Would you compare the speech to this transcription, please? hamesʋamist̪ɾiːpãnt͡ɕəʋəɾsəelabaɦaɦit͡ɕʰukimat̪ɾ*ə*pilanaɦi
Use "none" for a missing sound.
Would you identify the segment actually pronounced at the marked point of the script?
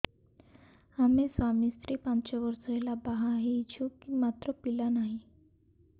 ə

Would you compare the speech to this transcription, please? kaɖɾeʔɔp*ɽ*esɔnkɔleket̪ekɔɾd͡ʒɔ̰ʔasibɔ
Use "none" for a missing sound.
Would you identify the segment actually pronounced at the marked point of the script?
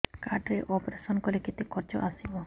ɾ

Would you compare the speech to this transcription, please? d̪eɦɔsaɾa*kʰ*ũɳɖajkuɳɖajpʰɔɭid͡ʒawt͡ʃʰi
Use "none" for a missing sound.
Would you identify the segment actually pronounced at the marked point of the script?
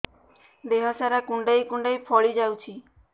k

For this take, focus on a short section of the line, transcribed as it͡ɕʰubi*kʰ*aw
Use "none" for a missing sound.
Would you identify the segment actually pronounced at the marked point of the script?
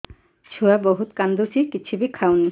kʰ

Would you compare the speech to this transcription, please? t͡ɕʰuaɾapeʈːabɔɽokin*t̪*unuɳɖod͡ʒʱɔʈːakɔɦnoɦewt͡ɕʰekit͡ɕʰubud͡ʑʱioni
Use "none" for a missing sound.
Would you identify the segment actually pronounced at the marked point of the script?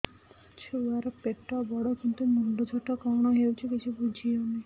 t̪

